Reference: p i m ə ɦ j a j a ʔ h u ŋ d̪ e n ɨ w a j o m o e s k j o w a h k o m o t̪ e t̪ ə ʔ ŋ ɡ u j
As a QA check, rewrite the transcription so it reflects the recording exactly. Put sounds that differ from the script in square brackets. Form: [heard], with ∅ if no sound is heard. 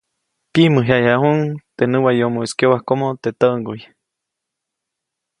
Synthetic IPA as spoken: p i m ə ɦ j a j a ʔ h u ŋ [t̪] e n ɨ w a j o m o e s k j o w a h k o m o t̪ e t̪ ə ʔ ŋ ɡ u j